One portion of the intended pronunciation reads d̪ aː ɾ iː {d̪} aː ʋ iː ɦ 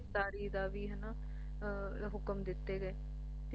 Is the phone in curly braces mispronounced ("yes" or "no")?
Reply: no